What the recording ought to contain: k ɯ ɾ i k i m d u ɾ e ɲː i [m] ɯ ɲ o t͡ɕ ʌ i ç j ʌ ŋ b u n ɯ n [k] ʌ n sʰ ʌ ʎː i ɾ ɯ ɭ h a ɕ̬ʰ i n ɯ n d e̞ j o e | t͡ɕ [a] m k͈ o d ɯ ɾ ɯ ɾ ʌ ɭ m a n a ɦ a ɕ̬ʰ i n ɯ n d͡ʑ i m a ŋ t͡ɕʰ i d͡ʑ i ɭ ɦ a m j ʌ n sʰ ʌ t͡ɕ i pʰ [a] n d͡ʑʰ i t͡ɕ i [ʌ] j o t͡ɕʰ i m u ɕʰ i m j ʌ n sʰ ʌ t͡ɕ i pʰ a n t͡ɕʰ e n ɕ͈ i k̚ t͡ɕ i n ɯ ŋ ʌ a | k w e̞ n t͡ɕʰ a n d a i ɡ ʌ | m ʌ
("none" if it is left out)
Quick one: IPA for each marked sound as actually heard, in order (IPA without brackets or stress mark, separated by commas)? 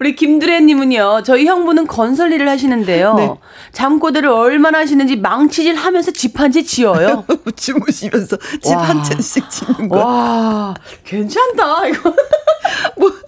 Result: m, k, a, a, ʌ